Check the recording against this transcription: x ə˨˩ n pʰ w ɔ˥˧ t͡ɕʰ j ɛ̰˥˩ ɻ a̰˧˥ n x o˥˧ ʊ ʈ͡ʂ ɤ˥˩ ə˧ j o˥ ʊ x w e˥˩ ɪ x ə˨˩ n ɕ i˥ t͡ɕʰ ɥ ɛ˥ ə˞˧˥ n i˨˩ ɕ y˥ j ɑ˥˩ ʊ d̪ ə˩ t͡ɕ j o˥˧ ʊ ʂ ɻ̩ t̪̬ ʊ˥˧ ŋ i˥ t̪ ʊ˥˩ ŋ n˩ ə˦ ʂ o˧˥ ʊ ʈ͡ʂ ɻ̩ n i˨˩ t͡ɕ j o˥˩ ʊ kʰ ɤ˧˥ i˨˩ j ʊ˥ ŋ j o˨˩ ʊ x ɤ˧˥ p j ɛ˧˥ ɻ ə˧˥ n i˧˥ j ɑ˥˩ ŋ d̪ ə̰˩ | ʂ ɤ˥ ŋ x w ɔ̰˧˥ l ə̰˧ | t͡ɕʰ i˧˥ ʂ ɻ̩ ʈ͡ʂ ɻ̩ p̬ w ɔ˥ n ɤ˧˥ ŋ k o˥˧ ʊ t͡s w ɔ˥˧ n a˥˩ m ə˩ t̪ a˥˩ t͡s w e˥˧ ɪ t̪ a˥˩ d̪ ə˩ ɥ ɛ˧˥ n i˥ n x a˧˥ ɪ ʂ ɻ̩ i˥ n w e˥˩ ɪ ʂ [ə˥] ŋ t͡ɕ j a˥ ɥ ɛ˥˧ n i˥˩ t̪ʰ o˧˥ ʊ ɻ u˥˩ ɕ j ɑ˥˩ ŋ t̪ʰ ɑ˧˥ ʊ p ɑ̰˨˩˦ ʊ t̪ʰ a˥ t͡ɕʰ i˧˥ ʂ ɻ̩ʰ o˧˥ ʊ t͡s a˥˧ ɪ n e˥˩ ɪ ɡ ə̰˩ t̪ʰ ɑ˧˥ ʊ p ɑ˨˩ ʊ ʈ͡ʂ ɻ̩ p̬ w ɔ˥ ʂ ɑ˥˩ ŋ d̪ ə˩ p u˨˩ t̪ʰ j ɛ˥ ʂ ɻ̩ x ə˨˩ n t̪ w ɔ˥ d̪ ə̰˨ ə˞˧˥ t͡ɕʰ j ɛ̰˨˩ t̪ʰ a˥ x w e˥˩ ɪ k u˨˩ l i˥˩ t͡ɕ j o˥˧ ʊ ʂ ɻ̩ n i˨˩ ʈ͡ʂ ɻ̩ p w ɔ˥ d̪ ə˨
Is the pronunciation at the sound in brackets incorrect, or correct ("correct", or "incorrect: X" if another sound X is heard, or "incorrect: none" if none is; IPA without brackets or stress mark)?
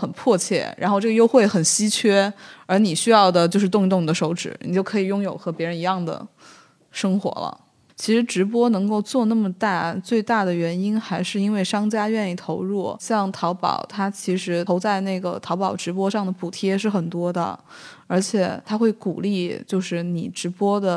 incorrect: ɑ˥